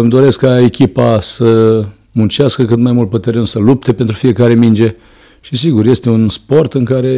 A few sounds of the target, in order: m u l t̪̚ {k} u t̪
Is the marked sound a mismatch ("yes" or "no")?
yes